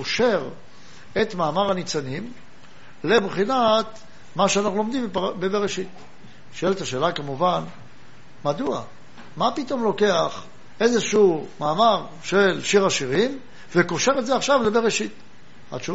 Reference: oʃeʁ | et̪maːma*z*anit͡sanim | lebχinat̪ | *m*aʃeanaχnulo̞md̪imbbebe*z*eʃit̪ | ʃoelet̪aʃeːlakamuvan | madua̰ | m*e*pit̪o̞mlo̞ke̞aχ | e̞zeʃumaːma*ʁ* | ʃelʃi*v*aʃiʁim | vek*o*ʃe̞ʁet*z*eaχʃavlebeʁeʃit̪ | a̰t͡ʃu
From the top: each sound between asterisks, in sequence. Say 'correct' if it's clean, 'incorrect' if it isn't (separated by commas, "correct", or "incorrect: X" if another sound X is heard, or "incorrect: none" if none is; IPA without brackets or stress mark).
incorrect: ʁ, correct, incorrect: ʁ, incorrect: a, correct, incorrect: ʁ, correct, correct